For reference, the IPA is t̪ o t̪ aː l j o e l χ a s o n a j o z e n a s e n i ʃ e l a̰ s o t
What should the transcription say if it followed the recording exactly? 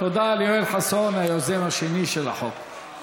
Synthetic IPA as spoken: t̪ o d̪ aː l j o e l ħ a s o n a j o z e m a ʃ e n i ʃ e l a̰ ħ o k